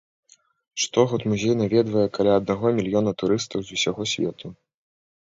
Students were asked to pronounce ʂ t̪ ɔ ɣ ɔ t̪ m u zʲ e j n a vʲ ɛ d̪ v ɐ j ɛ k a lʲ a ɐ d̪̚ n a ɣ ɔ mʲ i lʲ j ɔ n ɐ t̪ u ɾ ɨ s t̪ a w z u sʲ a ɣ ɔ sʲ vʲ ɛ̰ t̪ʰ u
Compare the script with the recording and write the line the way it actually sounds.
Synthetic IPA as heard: ʂ t̪ ɔ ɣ ɔ t̪ m u zʲ e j n a vʲ ɛ d̪ v ɐ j ɛ k a lʲ a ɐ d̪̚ n a ɣ ɔ mʲ i lʲ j ɔ n ɐ t̪ u ɾ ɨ s t̪ ɐ w z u sʲ a ɣ ɔ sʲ vʲ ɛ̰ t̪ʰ u